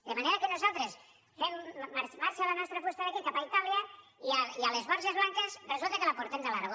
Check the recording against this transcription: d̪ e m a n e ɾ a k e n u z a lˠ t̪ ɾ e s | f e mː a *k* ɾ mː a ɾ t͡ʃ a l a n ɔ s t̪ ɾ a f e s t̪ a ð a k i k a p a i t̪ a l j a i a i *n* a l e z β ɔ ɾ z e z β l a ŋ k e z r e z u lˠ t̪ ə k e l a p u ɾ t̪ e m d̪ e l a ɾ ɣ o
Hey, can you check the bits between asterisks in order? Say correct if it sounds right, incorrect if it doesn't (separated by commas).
incorrect, incorrect